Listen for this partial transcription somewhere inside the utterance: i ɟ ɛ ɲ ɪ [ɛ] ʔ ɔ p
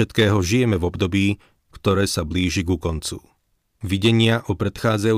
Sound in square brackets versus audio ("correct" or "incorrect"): incorrect